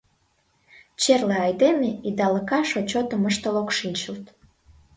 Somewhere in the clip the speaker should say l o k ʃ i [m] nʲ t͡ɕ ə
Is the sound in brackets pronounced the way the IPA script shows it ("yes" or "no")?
no